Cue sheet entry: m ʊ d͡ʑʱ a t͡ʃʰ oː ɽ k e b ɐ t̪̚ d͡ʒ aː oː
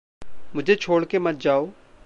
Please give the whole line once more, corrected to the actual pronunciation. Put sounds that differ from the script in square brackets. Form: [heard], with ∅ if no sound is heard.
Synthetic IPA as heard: m ʊ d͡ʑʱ [e] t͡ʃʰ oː ɽ k e [m] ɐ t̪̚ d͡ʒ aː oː